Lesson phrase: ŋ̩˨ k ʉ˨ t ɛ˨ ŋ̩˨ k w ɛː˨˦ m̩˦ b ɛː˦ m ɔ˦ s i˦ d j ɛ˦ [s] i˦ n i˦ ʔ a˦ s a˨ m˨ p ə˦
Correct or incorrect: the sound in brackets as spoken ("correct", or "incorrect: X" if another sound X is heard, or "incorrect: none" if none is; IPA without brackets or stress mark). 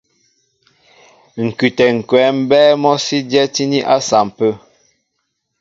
incorrect: t